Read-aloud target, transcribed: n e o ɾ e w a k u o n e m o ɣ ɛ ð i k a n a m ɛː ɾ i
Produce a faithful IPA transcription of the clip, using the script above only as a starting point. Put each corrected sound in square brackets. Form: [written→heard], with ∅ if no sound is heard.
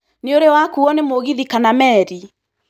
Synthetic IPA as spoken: n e o ɾ e w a k u [o→ɔ] n e m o ɣ [ɛ→i] ð i k a n a m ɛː ɾ i

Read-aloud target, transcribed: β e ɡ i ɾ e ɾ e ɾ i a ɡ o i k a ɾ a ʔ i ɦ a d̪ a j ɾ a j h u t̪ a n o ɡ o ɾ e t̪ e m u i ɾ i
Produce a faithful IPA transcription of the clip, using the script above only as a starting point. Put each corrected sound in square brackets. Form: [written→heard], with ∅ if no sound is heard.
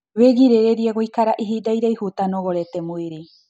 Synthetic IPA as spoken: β e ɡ i ɾ e ɾ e ɾ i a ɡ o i k a ɾ a ʔ i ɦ [a→i] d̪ a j ɾ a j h u t̪ a n o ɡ o ɾ e t̪ e m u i ɾ i

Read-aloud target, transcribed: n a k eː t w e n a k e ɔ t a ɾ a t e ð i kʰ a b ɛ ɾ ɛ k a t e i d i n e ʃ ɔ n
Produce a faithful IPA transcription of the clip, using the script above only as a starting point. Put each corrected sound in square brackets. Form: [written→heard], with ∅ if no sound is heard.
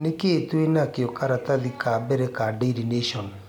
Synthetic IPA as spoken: n [a→e] k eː t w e n a k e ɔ [t→k] a ɾ a t [e→a] ð i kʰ a b ɛ ɾ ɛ k a [t→d] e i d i n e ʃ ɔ n

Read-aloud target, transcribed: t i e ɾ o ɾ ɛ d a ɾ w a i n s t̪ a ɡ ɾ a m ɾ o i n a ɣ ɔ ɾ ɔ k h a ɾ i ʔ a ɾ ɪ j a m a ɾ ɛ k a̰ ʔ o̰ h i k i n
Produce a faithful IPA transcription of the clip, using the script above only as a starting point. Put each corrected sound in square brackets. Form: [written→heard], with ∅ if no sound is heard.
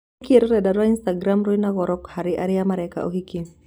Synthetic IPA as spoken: [t→k] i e ɾ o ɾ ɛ d a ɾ w a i n s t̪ a ɡ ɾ a m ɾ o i n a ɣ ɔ ɾ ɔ k h a ɾ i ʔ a ɾ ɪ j a m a ɾ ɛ k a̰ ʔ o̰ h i k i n

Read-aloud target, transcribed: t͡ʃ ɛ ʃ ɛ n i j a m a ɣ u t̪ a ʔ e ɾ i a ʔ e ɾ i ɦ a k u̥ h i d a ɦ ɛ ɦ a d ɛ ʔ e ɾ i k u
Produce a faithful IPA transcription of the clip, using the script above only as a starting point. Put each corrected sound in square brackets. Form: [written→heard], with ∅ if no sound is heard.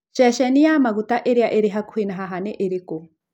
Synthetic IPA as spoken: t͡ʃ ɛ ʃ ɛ n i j a m a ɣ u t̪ a ʔ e ɾ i a ʔ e ɾ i ɦ a k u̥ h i [d→n] a ɦ [ɛ→a] ɦ a [d→n] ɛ ʔ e ɾ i k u

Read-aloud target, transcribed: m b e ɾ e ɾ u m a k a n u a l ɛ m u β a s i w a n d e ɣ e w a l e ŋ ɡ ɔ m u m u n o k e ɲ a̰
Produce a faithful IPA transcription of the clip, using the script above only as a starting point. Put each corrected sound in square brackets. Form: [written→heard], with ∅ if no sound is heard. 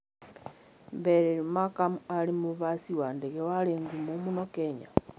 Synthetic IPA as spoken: m b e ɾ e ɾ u m a k a [n→m] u a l [ɛ→i] m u β a s i w a n d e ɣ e w a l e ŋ ɡ [ɔ→u] m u m u n o k e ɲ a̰

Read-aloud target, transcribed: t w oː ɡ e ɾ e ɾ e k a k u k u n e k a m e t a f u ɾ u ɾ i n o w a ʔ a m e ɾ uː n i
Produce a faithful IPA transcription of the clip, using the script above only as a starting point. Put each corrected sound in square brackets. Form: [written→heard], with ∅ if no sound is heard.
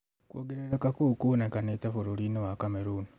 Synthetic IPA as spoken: [t→k] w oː ɡ e ɾ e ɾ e k a k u k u n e k a [m→n] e t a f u ɾ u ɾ i n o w a [ʔ→k] a m e ɾ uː n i

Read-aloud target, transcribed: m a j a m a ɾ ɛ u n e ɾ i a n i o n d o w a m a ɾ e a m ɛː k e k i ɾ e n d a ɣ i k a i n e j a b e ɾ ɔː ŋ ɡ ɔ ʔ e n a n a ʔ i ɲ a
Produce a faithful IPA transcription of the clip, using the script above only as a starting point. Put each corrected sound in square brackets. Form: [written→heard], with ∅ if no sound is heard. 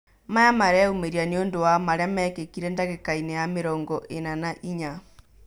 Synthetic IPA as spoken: m a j a m a ɾ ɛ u [n→m] e ɾ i a n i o n d o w a m a ɾ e a m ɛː k e k i ɾ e n d a ɣ [i→e] k a i n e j a [b→m] e ɾ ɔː ŋ ɡ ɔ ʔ e n a n a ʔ i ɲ a

